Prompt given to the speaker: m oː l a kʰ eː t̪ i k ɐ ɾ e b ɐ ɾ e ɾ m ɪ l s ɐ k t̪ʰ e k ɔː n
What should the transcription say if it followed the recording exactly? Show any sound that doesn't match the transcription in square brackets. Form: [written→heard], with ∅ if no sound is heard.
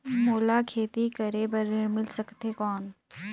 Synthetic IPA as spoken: m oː l a kʰ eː t̪ i k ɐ ɾ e b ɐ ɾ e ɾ m ɪ l s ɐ k [t̪ʰ→t̪] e k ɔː n